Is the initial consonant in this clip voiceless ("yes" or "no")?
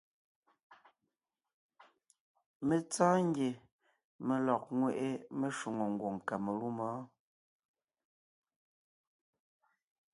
no